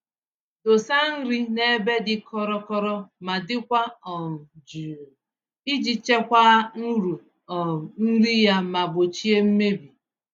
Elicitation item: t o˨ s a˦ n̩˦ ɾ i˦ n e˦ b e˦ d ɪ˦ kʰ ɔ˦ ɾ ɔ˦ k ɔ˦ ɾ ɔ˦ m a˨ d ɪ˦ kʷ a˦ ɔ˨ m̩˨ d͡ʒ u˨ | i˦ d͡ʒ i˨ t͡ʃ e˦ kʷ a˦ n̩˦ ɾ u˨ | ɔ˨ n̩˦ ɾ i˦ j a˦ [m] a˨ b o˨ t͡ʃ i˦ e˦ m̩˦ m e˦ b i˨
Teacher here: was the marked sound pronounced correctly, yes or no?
yes